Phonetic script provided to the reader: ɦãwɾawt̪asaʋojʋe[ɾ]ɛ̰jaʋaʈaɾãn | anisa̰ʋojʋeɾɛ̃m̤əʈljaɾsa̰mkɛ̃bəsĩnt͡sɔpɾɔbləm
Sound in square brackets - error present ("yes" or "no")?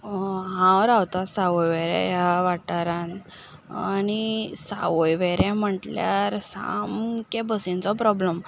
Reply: no